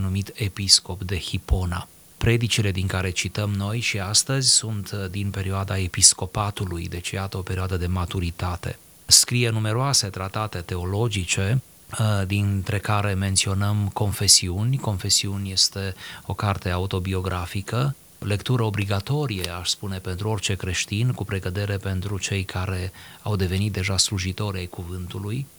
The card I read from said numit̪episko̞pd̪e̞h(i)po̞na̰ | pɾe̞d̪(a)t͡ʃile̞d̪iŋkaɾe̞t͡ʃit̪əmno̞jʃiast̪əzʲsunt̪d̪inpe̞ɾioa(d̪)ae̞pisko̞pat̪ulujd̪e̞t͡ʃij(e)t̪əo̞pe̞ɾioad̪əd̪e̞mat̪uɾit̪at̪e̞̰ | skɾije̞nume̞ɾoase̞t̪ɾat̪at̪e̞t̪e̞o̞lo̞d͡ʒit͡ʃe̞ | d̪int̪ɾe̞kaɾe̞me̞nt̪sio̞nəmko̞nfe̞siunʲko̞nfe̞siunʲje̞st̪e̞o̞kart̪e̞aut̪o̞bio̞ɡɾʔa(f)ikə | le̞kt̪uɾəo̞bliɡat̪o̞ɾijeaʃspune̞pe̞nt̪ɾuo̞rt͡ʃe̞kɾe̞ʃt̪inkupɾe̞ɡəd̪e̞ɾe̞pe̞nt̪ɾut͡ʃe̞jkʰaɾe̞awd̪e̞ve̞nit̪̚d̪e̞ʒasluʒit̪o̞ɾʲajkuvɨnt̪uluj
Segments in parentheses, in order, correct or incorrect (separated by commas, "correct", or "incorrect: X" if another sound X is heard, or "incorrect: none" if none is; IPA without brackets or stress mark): correct, incorrect: i, correct, incorrect: a, correct